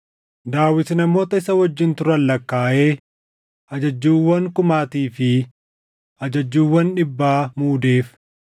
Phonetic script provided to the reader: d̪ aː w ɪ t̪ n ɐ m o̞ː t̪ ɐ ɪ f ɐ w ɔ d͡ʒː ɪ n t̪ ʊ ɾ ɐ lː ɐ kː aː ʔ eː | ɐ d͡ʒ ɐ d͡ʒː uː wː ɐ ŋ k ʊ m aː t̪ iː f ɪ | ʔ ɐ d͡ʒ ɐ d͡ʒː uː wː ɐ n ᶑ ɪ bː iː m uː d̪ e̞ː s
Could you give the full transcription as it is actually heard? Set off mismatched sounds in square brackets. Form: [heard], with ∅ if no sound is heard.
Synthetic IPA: d̪ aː w ɪ t̪ n ɐ m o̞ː t̪ ɐ ɪ [s] ɐ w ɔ d͡ʒː ɪ n t̪ ʊ ɾ ɐ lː ɐ kː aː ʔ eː | ɐ d͡ʒ ɐ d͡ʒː uː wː ɐ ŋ k ʊ m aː t̪ iː f ɪ | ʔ ɐ d͡ʒ ɐ d͡ʒː uː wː ɐ n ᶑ ɪ bː [aː] m uː d̪ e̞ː [f]

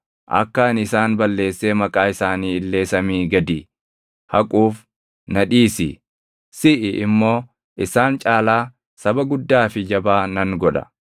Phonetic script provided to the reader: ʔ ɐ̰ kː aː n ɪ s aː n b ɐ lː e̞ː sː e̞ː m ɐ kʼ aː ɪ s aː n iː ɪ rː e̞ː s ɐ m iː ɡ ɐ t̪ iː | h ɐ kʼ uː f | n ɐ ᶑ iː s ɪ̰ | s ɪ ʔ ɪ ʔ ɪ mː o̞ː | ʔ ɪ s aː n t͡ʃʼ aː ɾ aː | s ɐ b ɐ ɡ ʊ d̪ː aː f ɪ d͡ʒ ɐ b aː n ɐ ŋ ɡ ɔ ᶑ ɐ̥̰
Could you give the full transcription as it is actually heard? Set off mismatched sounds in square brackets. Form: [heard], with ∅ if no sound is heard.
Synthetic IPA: ʔ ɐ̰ kː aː n ɪ s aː n b ɐ lː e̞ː sː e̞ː m ɐ kʼ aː ɪ s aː n iː ɪ [lː] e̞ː s ɐ m iː ɡ ɐ [d̪] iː | h ɐ kʼ uː f | n ɐ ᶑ iː s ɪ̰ | s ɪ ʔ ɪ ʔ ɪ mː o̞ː | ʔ ɪ s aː n t͡ʃʼ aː [l] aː | s ɐ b ɐ ɡ ʊ d̪ː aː f ɪ d͡ʒ ɐ b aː n ɐ ŋ ɡ ɔ ᶑ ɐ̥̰

